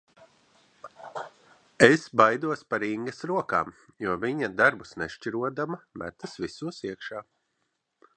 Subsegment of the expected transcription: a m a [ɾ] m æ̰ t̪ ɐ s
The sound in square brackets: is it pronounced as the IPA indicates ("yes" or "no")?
no